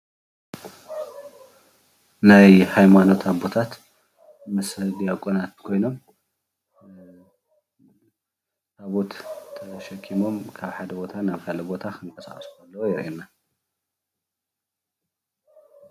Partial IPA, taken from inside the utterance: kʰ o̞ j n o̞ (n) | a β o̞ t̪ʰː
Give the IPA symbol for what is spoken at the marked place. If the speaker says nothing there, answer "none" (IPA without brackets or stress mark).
m